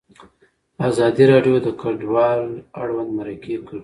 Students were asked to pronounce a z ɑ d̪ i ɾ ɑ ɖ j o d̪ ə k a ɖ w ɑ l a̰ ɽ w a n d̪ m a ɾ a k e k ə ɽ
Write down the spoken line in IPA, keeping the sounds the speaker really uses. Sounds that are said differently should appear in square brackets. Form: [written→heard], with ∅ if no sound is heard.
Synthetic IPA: a z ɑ d̪ i ɾ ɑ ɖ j o d̪ ə k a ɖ w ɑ l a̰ ɽ w a n d̪ m a ɾ a k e k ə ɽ